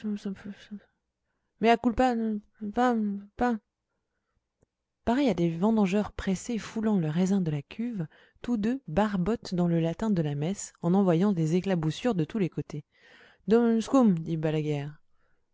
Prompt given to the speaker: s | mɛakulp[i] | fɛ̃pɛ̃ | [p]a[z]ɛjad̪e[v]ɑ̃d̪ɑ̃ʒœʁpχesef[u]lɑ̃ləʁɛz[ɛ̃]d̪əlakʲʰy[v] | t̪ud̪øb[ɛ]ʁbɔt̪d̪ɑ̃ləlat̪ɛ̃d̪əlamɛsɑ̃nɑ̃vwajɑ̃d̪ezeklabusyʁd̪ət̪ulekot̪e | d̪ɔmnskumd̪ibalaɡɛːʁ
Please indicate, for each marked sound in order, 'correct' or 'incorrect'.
incorrect, correct, incorrect, correct, correct, correct, correct, incorrect

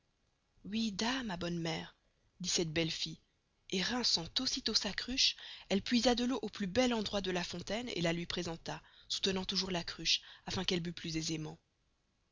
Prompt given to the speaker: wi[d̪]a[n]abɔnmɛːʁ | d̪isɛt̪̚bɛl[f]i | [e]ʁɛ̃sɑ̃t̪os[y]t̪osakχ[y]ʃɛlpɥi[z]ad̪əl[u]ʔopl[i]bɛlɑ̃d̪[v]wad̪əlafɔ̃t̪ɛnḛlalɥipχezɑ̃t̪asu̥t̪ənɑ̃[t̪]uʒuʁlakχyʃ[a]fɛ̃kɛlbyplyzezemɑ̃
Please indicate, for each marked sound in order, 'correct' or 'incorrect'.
correct, incorrect, correct, correct, incorrect, correct, correct, incorrect, incorrect, incorrect, correct, correct

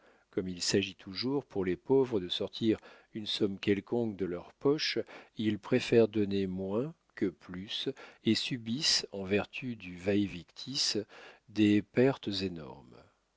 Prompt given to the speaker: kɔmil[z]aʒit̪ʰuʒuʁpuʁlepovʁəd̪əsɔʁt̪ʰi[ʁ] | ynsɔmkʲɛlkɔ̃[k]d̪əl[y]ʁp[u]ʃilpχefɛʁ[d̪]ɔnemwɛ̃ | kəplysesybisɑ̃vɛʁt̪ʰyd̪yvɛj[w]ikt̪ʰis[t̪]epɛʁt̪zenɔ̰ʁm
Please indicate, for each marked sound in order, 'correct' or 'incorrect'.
incorrect, correct, correct, incorrect, incorrect, correct, incorrect, incorrect

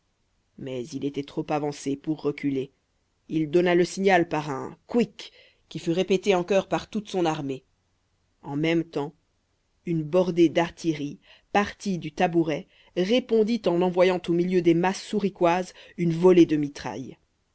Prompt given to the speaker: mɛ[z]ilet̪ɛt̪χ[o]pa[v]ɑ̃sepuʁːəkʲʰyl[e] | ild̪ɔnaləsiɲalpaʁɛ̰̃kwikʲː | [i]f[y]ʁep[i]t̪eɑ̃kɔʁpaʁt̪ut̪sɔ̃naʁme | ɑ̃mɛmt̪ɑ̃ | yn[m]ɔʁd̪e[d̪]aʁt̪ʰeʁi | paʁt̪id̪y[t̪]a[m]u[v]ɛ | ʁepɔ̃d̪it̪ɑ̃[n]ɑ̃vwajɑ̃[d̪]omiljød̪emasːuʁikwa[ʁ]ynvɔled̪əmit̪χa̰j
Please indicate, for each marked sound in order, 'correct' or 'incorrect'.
correct, correct, correct, correct, correct, correct, incorrect, incorrect, correct, correct, incorrect, incorrect, correct, incorrect, incorrect

